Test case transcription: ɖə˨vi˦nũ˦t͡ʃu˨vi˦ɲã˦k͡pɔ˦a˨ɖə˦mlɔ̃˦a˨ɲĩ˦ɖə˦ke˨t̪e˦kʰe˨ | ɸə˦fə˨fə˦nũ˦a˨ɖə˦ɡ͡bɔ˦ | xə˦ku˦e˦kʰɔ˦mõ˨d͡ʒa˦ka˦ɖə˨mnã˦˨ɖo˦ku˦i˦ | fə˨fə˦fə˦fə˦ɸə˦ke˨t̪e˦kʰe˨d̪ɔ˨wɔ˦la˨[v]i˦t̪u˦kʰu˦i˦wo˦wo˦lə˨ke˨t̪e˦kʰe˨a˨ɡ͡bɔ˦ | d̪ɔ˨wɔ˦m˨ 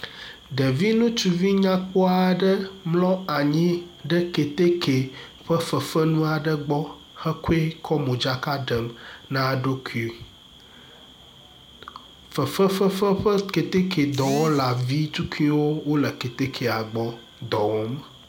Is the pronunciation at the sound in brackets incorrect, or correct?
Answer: correct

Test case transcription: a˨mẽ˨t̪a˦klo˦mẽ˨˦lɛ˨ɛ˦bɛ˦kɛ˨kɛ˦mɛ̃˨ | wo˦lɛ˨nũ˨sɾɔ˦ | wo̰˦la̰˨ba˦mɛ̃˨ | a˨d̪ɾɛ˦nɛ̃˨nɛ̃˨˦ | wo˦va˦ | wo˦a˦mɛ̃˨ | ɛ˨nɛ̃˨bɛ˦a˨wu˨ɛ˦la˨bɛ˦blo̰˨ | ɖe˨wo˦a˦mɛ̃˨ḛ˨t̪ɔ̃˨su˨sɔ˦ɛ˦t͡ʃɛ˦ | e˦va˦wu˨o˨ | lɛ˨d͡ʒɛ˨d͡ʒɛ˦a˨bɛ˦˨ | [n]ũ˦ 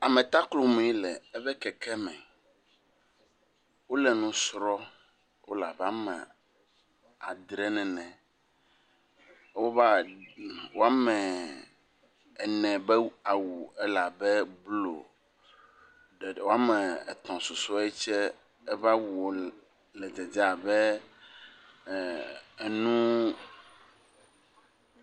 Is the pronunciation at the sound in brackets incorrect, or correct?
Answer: correct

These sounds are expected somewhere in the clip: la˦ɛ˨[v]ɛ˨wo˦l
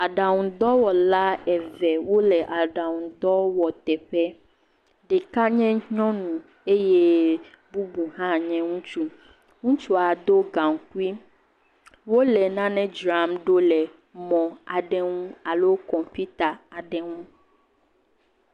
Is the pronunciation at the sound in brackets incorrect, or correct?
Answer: correct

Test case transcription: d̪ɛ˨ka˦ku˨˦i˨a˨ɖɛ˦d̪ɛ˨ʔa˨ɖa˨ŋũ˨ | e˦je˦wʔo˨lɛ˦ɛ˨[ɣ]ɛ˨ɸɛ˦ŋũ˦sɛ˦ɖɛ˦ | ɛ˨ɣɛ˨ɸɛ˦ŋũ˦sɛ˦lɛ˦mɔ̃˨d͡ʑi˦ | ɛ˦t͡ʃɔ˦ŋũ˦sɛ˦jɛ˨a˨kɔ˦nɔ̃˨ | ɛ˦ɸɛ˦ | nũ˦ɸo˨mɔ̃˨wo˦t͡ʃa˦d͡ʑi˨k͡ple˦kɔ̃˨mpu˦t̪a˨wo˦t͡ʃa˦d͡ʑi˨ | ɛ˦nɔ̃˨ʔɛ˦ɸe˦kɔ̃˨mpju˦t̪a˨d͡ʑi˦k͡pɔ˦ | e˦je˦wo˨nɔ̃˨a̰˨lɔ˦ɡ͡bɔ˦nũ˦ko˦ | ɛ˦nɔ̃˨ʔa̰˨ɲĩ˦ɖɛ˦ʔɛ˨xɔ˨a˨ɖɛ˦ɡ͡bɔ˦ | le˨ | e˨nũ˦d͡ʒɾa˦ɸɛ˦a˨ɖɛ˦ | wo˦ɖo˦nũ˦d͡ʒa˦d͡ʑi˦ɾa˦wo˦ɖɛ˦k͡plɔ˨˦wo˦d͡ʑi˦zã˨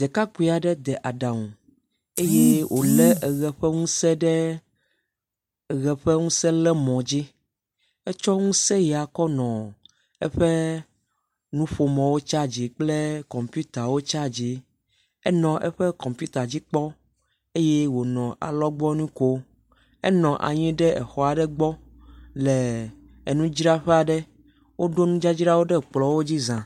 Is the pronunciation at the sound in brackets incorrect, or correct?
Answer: correct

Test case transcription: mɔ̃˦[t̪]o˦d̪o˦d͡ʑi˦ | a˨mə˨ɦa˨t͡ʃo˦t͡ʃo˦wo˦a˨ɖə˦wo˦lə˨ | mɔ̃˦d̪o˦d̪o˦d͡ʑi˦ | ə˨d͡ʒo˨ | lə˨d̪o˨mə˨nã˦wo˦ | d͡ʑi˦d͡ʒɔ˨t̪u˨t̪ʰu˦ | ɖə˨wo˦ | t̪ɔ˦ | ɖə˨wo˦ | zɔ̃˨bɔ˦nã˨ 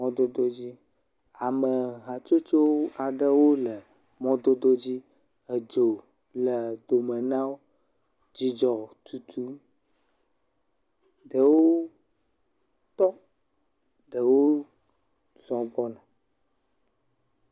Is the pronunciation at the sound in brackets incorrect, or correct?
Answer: incorrect: d̪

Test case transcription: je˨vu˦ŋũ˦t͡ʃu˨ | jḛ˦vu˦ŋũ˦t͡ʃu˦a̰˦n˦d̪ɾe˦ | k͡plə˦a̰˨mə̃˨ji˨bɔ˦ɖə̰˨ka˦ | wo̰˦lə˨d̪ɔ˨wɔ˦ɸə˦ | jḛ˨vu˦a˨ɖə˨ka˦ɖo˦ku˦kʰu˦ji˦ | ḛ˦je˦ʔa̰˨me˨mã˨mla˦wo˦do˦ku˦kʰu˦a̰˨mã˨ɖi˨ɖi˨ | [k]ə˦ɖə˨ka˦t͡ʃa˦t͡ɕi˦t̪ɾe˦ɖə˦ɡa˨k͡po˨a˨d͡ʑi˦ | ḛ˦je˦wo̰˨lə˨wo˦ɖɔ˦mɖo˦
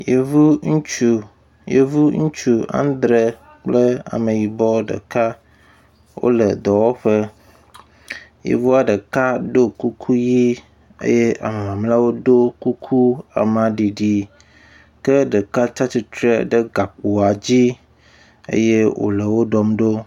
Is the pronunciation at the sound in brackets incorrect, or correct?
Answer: correct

